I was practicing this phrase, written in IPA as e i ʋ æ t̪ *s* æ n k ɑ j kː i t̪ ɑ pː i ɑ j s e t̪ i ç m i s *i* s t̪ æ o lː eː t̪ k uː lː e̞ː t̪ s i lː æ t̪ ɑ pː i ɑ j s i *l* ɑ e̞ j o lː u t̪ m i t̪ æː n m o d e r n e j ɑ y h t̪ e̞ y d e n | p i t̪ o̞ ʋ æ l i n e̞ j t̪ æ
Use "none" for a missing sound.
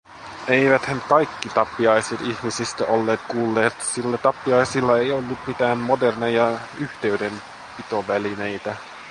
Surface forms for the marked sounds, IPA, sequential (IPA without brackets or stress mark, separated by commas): h, i, lː